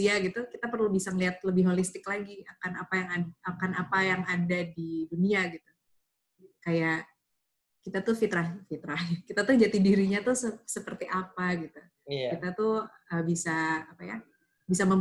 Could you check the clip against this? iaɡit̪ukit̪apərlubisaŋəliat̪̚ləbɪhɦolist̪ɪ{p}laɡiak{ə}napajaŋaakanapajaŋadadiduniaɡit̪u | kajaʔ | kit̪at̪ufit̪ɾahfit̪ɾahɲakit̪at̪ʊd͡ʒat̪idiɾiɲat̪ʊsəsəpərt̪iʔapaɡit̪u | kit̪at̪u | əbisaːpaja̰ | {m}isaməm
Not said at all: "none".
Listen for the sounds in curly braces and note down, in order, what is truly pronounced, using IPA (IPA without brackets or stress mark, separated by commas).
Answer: k, a, b